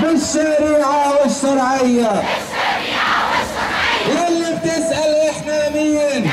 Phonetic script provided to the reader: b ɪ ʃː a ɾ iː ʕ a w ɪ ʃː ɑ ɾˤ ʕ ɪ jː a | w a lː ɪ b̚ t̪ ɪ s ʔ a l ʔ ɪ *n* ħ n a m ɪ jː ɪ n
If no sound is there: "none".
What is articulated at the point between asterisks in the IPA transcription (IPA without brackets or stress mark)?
none